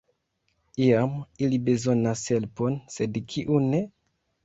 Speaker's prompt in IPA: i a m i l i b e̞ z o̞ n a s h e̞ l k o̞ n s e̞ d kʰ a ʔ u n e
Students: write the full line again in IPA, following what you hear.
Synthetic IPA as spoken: i a m i l i b e̞ z o̞ n a s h e̞ l p o̞ n s e̞ d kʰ i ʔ u n e